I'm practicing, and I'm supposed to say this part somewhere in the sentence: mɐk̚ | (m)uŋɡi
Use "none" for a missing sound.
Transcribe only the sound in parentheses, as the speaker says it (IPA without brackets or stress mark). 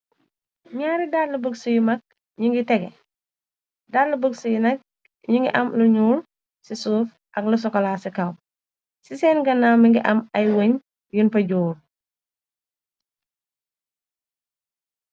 ɲ